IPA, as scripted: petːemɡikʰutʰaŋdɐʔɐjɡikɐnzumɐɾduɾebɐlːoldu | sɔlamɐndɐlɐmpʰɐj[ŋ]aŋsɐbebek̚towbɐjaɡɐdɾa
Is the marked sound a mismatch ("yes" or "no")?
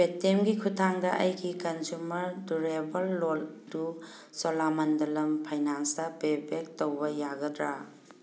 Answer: yes